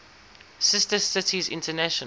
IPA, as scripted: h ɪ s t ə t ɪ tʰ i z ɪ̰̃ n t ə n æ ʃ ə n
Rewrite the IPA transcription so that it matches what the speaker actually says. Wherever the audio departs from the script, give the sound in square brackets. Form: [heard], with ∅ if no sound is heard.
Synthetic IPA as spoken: [s] ɪ s t ə [s] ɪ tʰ i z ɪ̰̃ n t ə n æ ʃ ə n